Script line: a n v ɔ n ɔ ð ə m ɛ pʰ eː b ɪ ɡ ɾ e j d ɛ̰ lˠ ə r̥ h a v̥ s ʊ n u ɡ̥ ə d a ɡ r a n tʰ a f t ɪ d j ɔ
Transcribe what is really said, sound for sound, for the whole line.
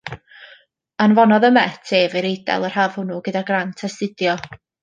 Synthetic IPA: a n v ɔ n ɔ ð ə m ɛ tʰ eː v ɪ ɾ e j d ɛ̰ lˠ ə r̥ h a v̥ h ʊ n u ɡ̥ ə d a ɡ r a n tʰ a s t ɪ d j ɔ